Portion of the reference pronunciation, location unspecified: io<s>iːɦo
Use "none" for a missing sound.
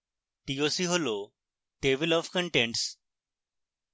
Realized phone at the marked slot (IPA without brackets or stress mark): s